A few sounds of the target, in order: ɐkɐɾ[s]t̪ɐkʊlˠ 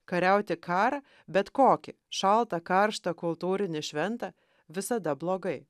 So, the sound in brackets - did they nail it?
no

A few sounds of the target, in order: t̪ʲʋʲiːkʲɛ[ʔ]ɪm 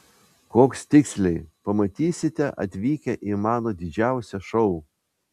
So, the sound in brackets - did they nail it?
yes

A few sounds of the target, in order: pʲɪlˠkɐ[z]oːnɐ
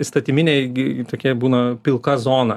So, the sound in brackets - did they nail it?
yes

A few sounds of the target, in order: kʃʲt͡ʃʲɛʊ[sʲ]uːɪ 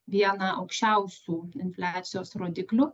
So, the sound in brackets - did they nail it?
yes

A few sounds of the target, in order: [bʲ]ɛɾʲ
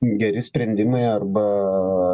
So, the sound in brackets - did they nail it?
no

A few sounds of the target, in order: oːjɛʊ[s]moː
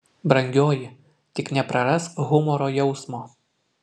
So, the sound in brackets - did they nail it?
yes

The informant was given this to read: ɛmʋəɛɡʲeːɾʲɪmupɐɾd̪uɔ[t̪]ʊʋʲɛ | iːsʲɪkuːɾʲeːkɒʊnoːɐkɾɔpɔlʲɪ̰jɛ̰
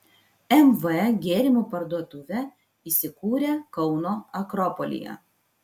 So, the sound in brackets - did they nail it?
yes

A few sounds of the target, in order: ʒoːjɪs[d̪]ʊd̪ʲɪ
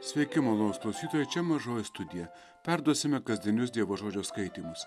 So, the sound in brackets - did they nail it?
no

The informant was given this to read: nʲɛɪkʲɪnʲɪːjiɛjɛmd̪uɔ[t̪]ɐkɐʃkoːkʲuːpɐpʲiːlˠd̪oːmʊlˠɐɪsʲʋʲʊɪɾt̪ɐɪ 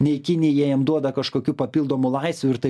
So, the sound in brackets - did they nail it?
no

